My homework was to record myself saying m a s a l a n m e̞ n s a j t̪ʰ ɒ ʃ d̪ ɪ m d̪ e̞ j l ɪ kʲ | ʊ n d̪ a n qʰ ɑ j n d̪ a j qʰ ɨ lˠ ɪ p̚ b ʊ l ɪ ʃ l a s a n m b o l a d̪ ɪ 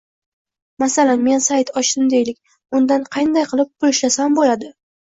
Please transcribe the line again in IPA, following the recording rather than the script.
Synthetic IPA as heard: m a s a l a n m e̞ n s a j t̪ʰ ɒ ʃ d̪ ɪ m d̪ e̞ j l ɪ kʲ | ʊ n d̪ a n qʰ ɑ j n d̪ a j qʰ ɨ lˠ ɪ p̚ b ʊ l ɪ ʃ l a s a m b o l a d̪ ɪ